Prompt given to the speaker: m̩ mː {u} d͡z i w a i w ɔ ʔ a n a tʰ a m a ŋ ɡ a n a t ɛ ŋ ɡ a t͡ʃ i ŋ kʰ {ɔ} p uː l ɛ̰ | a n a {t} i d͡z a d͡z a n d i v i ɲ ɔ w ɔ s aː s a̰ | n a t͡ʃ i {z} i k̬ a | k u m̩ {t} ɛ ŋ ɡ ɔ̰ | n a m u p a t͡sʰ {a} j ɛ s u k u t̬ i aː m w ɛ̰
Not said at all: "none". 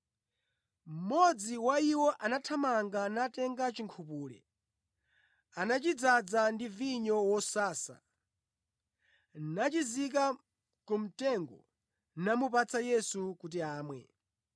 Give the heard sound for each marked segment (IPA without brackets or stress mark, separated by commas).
ɔ, u, t͡ʃ, z, t, a